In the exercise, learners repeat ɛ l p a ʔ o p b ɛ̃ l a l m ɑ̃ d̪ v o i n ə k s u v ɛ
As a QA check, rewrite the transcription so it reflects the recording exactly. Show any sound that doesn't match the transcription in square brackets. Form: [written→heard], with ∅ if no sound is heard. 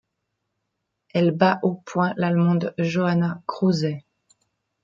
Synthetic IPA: ɛ l [p→b] a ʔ o p [b→w] ɛ̃ l a l m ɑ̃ d̪ [v→ʒ] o [i→a] n [ə→a] k [s→χ] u [v→z] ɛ